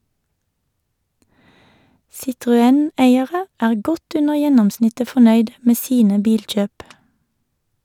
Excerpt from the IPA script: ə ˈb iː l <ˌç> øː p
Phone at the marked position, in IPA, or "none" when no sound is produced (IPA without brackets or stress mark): c͡ç